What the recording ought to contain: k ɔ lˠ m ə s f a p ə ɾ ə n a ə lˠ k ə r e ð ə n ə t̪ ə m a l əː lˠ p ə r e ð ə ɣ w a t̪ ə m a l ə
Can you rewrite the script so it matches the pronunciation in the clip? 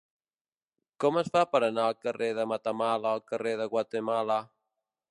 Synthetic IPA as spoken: k ɔ m ə s f a p ə ɾ ə n a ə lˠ k ə r e ð ə m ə t̪ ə m a l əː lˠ k ə r e ð ə ɣ w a t̪ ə m a l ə

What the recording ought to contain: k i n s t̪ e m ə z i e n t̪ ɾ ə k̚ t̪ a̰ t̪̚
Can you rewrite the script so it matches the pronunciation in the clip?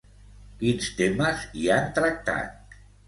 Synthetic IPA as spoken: k i n s t̪ e m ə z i a n t̪ ɾ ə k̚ t̪ a̰ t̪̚

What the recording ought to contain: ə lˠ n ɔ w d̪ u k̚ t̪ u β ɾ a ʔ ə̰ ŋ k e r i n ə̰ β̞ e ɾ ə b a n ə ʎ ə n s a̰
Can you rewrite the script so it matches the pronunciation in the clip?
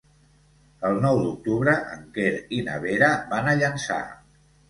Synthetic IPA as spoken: ə lˠ n ɔ w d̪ u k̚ t̪ u β ɾ ə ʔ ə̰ ŋ k e ɾ i n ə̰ β̞ e ɾ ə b a n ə ʎ ə n s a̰

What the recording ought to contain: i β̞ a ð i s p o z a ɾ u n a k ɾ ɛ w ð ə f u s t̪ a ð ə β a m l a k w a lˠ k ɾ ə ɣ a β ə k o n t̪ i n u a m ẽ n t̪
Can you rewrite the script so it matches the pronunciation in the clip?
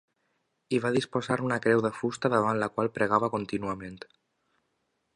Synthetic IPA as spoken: i β̞ a ð i s p o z a ɾ u n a k ɾ ɛ w ð ə f u s t̪ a ð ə β a n l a k w a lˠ p ɾ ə ɣ a β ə k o n t̪ i n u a m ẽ n t̪

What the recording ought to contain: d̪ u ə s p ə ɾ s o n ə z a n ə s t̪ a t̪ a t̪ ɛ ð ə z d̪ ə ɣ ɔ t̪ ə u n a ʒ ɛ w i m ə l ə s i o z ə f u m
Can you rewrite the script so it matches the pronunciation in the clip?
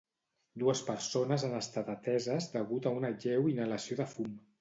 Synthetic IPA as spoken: d̪ u ə s p ə ɾ s o n ə z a n ə s t̪ a t̪ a t̪ ɛ z ə z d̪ ə ɣ u t̪ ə u n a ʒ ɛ w i n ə l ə s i o ð ə f u m

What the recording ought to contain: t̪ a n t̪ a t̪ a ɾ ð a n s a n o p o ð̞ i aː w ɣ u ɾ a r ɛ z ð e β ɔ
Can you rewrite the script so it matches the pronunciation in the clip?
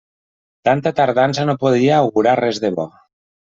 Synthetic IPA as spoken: t̪ a n t̪ a t̪ a ɾ ð a n s a n o p o ð̞ i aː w ɣ u ɾ a r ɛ z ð e β ɔ

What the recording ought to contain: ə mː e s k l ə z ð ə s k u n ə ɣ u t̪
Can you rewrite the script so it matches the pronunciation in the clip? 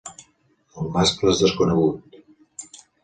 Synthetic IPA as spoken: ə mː a s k l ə z ð ə s k u n ə ɣ u t̪

